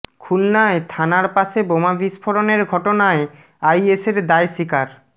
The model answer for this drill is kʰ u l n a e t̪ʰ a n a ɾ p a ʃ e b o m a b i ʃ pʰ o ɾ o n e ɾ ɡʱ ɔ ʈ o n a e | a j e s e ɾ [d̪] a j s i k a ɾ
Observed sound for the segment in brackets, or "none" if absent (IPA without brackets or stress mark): d̪